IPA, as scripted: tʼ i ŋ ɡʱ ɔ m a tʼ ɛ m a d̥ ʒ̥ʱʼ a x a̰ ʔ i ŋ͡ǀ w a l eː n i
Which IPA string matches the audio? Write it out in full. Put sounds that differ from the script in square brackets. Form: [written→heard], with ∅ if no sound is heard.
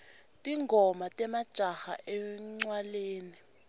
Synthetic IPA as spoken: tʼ i ŋ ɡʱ ɔ m a tʼ ɛ m a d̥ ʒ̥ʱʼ a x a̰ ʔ [i→ɛ] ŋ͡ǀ w a l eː n i